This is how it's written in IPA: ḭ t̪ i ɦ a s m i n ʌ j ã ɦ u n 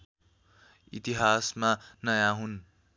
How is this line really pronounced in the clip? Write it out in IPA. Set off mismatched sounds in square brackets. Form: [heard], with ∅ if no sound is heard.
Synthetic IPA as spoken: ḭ t̪ i ɦ a s m [a] n ʌ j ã ɦ u n